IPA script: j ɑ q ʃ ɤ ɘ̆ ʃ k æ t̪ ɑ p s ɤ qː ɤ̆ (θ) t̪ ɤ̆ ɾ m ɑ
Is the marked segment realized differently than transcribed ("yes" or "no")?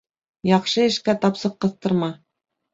no